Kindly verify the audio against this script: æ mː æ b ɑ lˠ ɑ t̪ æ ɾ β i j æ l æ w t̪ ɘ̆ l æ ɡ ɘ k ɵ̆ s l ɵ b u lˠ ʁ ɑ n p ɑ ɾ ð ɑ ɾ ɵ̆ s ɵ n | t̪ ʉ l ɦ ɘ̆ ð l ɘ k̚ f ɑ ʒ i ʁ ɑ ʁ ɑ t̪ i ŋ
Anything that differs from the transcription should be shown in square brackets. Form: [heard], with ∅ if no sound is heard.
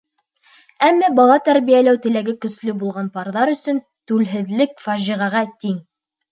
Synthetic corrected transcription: æ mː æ b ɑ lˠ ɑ t̪ æ ɾ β i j æ l æ w t̪ ɘ̆ l æ ɡ ɘ k ɵ̆ s l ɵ b u lˠ ʁ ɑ n p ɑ ɾ ð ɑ ɾ ɵ̆ s ɵ n | t̪ ʉ l ɦ ɘ̆ ð l ɘ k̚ f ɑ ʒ i ʁ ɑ ʁ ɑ t̪ i ŋ